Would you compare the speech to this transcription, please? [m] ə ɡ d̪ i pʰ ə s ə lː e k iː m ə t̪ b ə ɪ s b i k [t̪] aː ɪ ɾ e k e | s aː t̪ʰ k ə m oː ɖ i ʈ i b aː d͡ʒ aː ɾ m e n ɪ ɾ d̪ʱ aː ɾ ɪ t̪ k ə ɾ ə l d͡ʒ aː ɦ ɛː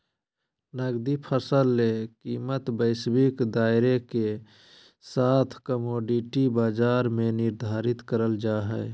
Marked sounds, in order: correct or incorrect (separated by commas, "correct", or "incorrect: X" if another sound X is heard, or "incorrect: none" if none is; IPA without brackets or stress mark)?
incorrect: n, incorrect: d̪